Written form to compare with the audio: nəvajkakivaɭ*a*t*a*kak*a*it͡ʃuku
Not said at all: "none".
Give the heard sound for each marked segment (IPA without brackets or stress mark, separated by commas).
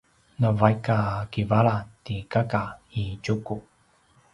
a, i, a